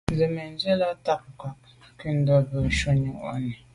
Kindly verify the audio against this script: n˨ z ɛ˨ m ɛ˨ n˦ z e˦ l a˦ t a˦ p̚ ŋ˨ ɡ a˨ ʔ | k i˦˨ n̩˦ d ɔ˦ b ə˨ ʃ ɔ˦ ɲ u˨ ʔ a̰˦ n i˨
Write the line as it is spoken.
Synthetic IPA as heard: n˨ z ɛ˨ m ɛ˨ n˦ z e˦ l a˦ t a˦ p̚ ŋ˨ k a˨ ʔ | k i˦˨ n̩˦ d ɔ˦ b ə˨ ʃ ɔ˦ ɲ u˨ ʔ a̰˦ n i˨